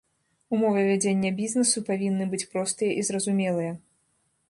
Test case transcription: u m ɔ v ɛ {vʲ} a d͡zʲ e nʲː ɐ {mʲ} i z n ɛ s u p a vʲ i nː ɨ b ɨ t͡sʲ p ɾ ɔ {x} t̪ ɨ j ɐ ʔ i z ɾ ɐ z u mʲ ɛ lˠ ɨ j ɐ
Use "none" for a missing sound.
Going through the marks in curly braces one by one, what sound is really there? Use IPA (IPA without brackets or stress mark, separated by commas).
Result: vʲ, bʲ, s